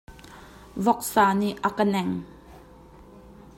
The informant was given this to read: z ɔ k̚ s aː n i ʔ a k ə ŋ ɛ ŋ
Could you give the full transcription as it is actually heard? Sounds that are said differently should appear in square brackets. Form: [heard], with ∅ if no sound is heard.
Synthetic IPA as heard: [v] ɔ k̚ s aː n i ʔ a k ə [n] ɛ ŋ